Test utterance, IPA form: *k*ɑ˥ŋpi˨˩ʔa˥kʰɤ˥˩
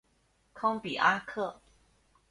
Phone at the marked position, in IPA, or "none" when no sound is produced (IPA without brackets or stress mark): kʰ